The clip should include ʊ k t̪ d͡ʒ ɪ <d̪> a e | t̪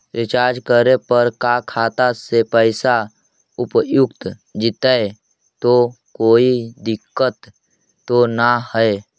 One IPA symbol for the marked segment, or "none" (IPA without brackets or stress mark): t̪